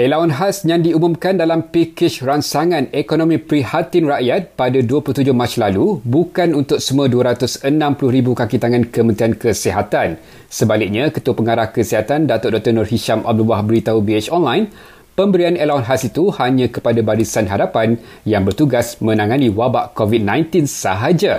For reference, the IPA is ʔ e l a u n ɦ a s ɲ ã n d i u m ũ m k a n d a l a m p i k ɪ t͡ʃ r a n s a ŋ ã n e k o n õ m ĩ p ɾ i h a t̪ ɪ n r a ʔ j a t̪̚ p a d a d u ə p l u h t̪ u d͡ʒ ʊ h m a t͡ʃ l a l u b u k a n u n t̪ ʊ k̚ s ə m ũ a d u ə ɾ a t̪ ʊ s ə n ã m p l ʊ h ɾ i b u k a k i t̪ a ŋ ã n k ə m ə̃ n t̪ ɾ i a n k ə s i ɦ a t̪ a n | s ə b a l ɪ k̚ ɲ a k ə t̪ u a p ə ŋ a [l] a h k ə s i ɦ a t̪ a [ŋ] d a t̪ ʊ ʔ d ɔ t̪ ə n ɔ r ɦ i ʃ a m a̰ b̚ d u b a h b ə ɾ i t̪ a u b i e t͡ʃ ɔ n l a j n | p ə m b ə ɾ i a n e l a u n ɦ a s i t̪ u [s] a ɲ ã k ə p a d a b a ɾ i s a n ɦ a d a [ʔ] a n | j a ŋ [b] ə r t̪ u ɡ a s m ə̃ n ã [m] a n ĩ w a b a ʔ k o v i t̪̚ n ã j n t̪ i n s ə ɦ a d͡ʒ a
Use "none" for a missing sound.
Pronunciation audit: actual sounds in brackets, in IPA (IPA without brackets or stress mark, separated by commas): ɾ, n, h, p, b, ŋ